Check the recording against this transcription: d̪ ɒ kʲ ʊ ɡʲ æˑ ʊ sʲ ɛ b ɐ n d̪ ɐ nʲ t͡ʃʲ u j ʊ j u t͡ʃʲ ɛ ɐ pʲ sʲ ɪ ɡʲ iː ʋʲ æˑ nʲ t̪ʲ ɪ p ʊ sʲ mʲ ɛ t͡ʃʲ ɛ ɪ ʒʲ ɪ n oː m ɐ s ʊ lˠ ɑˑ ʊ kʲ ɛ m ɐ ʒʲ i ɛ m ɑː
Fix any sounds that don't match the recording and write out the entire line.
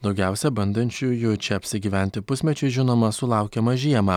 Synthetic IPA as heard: d̪ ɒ ʊ ɡʲ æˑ ʊ sʲ ɛ b ɐ n d̪ ɐ nʲ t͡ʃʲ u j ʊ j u t͡ʃʲ ɛ ɐ pʲ sʲ ɪ ɡʲ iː ʋʲ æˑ nʲ t̪ʲ ɪ p ʊ sʲ mʲ ɛ t͡ʃʲ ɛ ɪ ʒʲ ɪ n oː m ɐ s ʊ lˠ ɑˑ ʊ kʲ ɛ m ɐ ʒʲ i ɛ m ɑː